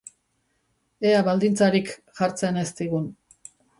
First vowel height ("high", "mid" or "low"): mid